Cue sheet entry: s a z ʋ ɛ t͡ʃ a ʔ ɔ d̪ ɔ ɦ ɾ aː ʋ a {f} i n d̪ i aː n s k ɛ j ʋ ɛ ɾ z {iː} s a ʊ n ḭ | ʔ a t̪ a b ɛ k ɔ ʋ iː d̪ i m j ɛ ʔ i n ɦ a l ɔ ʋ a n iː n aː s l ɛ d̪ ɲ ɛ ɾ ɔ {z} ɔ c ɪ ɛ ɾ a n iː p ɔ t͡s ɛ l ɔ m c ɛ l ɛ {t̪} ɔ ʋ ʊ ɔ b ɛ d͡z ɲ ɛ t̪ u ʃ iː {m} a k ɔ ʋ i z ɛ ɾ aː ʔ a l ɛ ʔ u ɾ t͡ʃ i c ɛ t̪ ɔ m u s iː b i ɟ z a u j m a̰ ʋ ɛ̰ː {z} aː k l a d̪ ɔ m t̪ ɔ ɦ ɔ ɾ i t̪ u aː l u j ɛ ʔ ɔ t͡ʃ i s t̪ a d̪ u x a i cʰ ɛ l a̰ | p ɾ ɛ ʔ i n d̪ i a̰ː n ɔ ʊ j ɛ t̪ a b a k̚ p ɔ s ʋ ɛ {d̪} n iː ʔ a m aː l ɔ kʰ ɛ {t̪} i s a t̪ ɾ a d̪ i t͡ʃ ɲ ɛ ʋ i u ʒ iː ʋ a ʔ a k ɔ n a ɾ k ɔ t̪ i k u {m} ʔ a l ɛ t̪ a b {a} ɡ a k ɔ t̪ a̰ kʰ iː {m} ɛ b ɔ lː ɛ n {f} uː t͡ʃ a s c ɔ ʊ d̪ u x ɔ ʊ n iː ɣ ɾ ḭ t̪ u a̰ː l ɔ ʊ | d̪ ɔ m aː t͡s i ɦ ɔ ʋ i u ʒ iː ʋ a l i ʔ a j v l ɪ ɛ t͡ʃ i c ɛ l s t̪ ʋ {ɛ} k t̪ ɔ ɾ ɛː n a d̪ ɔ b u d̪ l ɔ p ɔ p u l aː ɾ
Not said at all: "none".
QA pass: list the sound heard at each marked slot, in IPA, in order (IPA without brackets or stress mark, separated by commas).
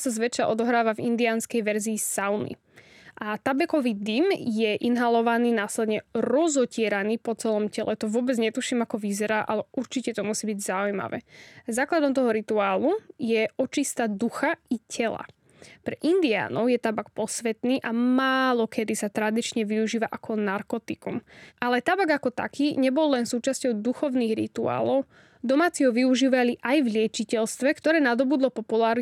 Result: v, iː, z, t̪, m, z, t̪, d̪, m, a, ɲ, s, ɛ